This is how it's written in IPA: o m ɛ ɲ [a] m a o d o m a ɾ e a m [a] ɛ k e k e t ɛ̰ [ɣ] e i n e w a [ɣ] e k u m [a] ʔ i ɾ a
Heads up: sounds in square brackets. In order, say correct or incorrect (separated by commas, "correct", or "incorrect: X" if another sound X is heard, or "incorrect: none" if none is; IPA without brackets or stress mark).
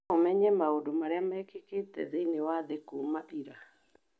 incorrect: ɛ, correct, incorrect: ð, incorrect: ð, correct